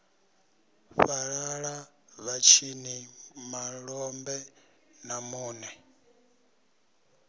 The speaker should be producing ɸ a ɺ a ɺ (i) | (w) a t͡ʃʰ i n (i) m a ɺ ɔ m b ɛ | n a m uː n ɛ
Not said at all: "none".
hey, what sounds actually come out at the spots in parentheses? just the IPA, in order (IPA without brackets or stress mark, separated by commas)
a, β, i